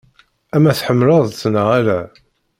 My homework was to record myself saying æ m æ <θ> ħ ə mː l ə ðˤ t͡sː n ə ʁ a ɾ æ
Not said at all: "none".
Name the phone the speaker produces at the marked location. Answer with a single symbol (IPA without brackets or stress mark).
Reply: θ